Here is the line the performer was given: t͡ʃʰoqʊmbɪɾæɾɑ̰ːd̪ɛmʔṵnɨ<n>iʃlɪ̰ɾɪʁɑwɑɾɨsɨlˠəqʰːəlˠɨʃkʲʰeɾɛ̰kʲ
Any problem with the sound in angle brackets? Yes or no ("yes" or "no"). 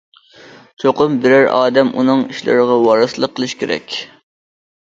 yes